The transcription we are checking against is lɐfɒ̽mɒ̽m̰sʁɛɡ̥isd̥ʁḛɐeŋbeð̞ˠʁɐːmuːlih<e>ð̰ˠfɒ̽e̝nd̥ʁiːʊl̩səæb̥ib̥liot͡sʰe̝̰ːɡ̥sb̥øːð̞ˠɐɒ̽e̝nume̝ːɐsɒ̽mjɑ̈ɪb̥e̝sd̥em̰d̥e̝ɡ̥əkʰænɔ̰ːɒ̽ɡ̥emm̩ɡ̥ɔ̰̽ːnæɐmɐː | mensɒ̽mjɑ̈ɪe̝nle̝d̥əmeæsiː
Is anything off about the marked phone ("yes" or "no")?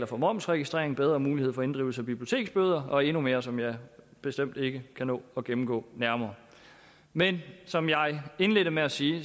no